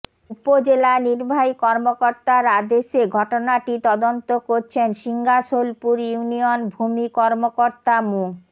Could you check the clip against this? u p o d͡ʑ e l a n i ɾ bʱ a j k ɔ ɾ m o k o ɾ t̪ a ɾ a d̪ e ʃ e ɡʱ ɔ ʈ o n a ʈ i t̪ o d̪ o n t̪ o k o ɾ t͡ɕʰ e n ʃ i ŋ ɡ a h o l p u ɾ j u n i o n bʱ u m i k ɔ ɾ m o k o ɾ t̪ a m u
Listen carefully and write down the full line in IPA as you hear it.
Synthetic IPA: u p o d͡ʑ e l a n i ɾ bʱ a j k ɔ ɾ m o k o ɾ t̪ a ɾ a d̪ e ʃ e ɡʱ ɔ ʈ o n a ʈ i t̪ ɔ d̪ o n t̪ o k o ɾ t͡ɕʰ e n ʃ i ŋ ɡ a ʃ o l p u ɾ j u n i o n bʱ u m i k ɔ ɾ m o k o ɾ t̪ a m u